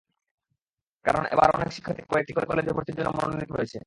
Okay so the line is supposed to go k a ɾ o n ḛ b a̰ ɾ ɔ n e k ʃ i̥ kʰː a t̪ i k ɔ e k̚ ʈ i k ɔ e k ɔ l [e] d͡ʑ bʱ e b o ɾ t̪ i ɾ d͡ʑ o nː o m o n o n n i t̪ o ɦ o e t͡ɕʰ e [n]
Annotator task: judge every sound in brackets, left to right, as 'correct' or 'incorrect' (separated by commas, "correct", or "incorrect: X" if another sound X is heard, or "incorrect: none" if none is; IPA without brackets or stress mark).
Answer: correct, incorrect: none